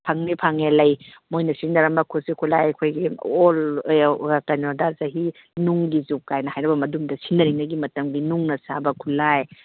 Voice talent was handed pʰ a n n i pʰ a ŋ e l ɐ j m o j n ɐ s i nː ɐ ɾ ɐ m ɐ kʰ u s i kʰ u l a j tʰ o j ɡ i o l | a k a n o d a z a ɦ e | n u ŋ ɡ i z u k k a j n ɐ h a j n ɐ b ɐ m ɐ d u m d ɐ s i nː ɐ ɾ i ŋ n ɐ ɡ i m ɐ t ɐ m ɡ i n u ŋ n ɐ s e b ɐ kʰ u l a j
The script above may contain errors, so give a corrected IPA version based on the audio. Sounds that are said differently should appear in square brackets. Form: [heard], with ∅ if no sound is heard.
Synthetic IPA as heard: pʰ a [ŋ] n i pʰ a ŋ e l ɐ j m o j n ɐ s i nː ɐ ɾ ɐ m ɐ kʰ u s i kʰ u l a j [kʰ] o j ɡ i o l | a k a n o d a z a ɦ [i] | n u ŋ ɡ i z u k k a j n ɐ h a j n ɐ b ɐ m ɐ d u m d ɐ s i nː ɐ ɾ i ŋ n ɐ ɡ i m ɐ t ɐ m ɡ i n u ŋ n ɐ s [a] b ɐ kʰ u l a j